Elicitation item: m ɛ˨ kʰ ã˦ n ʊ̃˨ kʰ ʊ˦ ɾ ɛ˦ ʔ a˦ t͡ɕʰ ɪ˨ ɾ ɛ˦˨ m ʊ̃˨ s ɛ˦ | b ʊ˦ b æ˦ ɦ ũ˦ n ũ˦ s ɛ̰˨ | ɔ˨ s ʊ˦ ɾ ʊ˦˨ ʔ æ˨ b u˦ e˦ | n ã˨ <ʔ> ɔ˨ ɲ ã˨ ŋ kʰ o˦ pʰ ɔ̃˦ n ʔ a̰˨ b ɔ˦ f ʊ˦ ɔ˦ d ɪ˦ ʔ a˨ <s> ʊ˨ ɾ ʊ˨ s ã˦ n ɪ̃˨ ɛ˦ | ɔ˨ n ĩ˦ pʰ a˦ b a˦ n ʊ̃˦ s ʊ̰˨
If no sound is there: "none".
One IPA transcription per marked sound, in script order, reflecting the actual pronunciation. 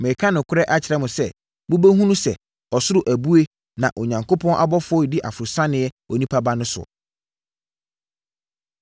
ʔ, f

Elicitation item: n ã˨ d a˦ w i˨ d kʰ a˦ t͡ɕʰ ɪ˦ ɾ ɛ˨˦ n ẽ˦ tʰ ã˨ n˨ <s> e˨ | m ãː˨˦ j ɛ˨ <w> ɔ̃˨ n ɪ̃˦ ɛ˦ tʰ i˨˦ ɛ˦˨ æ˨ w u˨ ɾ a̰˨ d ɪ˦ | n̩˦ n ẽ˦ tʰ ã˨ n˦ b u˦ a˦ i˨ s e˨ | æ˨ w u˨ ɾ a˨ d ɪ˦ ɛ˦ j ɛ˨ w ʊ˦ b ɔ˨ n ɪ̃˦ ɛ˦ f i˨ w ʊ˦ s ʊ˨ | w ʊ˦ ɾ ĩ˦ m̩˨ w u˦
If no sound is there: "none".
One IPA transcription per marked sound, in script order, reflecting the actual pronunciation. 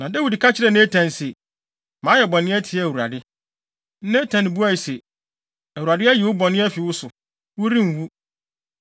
s, b

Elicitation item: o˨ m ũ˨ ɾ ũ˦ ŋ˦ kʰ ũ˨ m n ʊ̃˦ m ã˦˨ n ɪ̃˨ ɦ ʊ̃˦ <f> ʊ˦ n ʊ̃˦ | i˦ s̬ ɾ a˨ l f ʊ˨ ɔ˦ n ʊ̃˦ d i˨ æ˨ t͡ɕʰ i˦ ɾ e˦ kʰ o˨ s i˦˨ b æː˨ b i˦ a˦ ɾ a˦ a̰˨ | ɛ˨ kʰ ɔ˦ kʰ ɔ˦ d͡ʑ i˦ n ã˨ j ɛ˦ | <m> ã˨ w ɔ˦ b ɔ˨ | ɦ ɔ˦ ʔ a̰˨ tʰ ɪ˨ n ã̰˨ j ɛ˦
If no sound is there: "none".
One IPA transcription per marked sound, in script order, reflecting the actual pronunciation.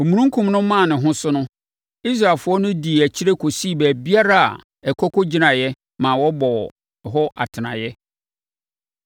s, m

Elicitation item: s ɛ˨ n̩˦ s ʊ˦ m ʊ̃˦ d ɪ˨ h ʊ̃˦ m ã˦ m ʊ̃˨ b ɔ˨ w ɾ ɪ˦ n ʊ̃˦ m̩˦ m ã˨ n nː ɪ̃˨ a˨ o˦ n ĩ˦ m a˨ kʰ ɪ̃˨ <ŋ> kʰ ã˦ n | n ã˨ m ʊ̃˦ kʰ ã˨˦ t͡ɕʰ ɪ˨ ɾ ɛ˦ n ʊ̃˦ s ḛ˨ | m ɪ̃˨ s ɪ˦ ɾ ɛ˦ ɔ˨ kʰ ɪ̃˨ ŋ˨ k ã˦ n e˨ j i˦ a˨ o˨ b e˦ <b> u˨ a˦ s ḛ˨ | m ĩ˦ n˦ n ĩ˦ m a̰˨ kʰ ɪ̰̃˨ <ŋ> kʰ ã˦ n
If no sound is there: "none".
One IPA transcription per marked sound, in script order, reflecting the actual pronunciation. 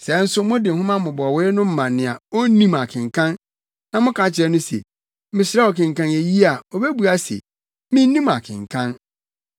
ŋ, b, ŋ

